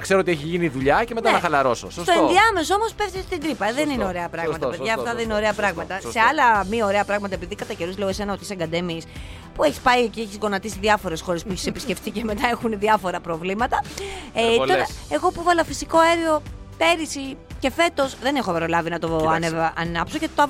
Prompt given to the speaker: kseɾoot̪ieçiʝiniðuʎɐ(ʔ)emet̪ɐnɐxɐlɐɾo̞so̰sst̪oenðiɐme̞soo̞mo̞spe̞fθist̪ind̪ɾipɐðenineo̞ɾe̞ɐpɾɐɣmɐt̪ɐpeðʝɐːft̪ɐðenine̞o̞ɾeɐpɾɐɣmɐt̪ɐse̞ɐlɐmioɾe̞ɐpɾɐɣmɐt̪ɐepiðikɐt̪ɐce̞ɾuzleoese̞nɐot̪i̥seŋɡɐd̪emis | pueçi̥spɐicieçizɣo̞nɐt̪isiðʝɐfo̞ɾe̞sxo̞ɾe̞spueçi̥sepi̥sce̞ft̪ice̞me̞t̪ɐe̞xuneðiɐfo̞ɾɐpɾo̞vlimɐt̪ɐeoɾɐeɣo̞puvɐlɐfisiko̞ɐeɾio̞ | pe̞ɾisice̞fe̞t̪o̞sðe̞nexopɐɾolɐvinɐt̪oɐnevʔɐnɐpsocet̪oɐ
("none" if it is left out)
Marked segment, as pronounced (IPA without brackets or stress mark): c